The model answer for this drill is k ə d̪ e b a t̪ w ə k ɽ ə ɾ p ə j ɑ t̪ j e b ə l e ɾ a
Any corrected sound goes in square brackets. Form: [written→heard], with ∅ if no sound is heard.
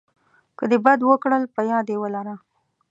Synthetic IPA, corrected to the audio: k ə d̪ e b a [t̪→d̪] w ə k ɽ ə [ɾ→l] p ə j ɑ [t̪→d̪] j e [b→w] ə l [e→a] ɾ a